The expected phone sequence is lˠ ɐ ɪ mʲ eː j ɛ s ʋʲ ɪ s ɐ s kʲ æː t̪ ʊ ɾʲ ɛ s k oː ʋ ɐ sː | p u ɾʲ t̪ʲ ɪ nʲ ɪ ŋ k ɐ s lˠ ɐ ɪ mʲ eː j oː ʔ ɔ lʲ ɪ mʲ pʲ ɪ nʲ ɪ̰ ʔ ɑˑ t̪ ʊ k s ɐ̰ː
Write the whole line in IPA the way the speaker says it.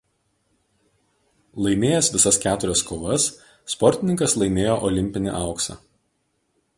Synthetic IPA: lˠ ɐ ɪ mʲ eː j ɛ s ʋʲ ɪ s ɐ s kʲ æː t̪ ʊ ɾʲ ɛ s k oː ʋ ɐ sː | p ɔ ɾʲ t̪ʲ ɪ nʲ ɪ ŋ k ɐ s lˠ ɐ ɪ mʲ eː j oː ʔ ɔ lʲ ɪ mʲ pʲ ɪ nʲ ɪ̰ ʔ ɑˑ ʊ k s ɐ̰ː